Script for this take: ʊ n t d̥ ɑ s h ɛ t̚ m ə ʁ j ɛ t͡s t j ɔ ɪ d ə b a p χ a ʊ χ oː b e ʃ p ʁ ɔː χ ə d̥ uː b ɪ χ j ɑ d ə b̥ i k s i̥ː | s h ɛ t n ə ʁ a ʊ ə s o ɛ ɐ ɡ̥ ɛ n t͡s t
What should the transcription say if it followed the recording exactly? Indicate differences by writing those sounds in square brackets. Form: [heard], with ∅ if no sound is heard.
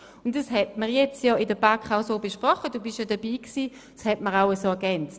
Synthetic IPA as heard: ʊ n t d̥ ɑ s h ɛ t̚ m ə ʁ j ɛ t͡s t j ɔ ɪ d ə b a [k] χ a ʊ [s] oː b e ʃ p ʁ [ɔ] χ ə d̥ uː b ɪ [ʃ] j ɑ d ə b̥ [iː] k s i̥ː | s h ɛ t [m] ə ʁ a ʊ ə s o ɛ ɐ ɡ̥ ɛ n t͡s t